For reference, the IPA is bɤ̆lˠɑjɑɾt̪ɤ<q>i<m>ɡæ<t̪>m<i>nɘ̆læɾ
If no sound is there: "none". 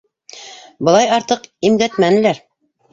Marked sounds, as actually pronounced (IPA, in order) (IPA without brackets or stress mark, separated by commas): q, m, t̪, æ